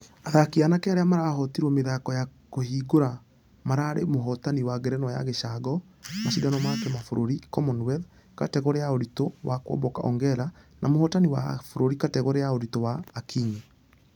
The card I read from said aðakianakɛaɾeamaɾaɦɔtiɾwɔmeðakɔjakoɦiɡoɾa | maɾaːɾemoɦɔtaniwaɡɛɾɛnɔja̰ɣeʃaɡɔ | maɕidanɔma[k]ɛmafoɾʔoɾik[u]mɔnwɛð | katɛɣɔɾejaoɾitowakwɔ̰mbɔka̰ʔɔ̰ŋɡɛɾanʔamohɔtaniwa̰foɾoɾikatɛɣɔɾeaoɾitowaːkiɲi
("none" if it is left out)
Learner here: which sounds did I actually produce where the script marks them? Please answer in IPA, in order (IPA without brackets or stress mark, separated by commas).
k, ɔ